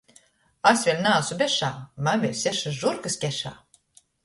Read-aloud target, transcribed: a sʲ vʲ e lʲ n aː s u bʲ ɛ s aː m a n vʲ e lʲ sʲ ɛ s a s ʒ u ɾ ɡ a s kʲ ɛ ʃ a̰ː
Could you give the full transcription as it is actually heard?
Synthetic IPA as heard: a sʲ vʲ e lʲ n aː s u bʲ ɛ ʃ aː m a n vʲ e lʲ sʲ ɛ ʃ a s ʒ u ɾ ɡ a s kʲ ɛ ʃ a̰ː